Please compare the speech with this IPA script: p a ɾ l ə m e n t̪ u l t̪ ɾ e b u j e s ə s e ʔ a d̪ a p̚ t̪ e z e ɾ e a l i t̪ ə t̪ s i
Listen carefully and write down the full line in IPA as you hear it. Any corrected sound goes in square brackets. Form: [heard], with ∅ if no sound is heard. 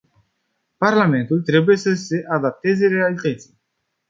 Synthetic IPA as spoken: p a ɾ l [a] m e n t̪ u l t̪ ɾ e b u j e s ə s e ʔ a d̪ a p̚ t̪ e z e ɾ e a l i t̪ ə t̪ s i